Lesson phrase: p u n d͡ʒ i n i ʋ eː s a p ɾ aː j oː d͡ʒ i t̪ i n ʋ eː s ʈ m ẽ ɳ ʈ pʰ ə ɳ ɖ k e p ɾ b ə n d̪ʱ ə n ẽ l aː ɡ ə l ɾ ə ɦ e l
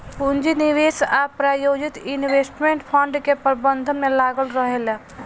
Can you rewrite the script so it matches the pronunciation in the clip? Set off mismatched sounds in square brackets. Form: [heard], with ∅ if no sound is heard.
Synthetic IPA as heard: p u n d͡ʒ i n i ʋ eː s a p ɾ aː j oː d͡ʒ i t̪ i n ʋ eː s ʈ m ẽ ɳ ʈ pʰ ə ɳ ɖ k e p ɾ b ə n d̪ʱ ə [m] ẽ l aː ɡ ə l ɾ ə ɦ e l